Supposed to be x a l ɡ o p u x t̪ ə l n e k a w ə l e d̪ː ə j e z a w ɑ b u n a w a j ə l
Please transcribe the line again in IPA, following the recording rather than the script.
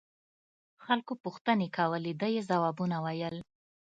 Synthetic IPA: x a l k o p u x t̪ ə n e k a w ə l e d̪ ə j e z a w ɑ b u n a w a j ə l